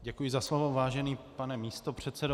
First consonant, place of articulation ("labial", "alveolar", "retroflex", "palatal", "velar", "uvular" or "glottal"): palatal